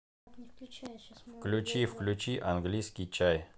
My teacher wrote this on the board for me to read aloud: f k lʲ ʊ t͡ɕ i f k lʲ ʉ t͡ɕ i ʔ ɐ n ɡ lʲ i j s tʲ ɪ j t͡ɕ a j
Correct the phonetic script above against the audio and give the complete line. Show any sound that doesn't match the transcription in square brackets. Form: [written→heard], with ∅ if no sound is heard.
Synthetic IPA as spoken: f k lʲ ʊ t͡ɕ i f k lʲ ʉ t͡ɕ i ʔ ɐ n ɡ lʲ i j s [tʲ→kʲ] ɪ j t͡ɕ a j